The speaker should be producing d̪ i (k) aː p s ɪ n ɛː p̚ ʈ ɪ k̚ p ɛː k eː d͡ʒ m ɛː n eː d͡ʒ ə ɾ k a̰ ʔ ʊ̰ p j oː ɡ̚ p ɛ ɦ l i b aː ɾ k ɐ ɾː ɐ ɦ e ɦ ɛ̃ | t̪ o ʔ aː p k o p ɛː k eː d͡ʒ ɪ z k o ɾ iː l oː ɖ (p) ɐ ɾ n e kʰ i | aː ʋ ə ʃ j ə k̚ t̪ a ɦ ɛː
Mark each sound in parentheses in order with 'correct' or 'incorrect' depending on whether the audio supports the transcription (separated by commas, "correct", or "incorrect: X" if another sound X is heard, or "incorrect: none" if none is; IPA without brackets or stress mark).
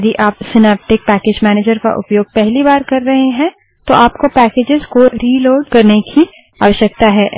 incorrect: ʔ, incorrect: k